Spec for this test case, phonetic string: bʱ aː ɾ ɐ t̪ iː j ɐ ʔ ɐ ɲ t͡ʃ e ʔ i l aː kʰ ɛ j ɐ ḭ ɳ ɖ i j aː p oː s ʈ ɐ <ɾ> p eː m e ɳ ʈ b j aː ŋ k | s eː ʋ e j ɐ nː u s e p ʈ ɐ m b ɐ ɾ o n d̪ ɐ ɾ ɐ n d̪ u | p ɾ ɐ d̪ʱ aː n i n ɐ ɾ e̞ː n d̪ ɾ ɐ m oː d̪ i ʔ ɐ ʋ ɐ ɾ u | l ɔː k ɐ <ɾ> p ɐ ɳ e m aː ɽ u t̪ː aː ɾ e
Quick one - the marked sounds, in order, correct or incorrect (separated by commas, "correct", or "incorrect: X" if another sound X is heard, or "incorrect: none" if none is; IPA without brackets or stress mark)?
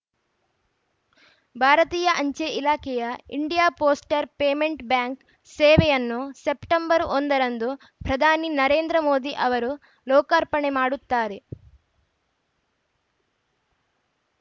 correct, correct